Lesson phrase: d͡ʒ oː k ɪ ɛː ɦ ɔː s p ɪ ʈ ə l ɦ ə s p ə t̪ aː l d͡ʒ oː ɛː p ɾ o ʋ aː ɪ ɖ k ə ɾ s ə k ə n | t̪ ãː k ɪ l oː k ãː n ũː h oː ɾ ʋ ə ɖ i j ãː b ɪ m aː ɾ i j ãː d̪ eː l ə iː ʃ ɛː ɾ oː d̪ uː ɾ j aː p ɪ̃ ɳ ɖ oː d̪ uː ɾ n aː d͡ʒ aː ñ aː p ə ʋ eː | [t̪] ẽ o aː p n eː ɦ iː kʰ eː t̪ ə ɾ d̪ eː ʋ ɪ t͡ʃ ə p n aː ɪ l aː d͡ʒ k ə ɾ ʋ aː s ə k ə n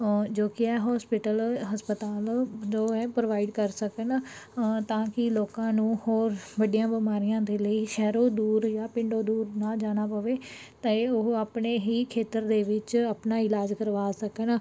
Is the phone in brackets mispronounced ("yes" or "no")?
no